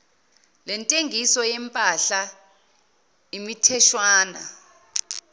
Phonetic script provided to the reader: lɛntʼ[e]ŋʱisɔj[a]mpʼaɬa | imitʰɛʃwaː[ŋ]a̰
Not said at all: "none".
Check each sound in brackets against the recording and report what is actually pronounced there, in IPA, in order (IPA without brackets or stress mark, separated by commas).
e, ɛ, n